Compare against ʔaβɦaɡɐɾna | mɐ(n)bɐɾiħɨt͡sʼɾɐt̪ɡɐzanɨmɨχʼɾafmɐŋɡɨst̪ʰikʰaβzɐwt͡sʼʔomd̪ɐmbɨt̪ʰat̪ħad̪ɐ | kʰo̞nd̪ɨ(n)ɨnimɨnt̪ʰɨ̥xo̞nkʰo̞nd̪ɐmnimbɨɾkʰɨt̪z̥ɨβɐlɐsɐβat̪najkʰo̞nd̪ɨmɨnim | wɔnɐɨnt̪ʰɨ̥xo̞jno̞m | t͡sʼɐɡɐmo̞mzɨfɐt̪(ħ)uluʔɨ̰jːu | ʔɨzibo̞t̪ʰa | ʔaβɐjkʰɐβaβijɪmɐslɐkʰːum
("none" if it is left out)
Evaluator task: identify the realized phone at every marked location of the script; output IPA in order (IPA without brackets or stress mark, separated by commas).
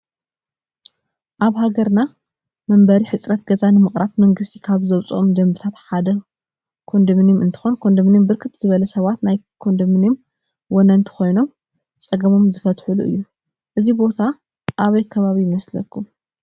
m, m, ħ